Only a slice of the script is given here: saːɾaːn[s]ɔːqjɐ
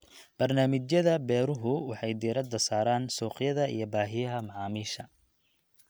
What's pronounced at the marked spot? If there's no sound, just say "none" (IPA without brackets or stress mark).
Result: s